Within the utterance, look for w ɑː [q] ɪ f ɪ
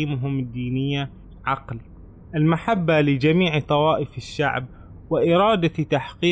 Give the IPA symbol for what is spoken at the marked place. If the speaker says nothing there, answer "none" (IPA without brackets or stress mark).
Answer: ʔ